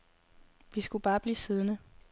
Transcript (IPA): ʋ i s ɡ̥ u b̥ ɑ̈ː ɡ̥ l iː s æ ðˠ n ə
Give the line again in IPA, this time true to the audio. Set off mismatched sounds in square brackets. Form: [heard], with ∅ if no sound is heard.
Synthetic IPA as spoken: ʋ i s ɡ̥ u b̥ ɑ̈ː [b̥] l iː s [i] ðˠ n ə